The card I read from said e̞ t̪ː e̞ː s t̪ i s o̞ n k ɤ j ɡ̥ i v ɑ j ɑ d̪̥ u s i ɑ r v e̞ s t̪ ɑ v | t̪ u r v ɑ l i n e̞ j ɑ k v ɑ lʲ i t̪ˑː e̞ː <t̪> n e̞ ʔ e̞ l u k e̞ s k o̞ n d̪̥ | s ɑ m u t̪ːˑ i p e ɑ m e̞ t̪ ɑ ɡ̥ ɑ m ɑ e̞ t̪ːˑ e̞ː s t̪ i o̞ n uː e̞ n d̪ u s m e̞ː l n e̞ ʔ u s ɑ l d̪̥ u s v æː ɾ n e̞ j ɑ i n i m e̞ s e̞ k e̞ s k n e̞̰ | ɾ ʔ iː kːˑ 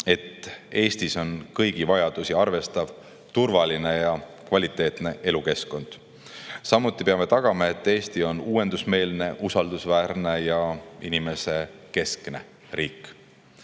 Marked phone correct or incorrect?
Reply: correct